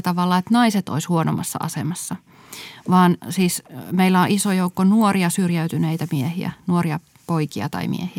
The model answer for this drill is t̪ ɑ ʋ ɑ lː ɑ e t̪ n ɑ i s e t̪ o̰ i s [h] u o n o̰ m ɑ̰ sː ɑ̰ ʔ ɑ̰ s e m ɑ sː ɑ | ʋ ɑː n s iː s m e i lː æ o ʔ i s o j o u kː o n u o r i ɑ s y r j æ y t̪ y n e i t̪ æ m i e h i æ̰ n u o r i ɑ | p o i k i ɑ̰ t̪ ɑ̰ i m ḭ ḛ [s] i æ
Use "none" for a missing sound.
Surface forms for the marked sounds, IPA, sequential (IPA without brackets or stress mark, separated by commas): h, h